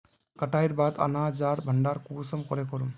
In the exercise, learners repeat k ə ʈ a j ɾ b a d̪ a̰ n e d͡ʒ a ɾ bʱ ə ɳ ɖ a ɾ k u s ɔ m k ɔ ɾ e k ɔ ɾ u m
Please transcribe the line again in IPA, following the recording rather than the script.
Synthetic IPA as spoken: k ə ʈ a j ɾ b a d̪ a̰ n a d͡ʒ a ɾ bʱ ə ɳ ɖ a ɾ k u s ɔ m k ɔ ɾ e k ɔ ɾ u m